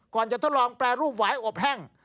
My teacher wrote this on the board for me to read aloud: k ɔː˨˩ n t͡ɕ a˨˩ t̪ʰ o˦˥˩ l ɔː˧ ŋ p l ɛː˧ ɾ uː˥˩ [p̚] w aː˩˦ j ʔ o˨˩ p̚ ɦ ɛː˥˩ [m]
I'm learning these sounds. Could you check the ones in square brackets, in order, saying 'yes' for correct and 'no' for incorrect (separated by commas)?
yes, no